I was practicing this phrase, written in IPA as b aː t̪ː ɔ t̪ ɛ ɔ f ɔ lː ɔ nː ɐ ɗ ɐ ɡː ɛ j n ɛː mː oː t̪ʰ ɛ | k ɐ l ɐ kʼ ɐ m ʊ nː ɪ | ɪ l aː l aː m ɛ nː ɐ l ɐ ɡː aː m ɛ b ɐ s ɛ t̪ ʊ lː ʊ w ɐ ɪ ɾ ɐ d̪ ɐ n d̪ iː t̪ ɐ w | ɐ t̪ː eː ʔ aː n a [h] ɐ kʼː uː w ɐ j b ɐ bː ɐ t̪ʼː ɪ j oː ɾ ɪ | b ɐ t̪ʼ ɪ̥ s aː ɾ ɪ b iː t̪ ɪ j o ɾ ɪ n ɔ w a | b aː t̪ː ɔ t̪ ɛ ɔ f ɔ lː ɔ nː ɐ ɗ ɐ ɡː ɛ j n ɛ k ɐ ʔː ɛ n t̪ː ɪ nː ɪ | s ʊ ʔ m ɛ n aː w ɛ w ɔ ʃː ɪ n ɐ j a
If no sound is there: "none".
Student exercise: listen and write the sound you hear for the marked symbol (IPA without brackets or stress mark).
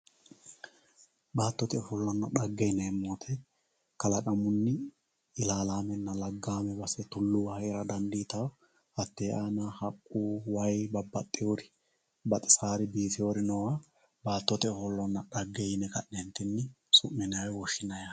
h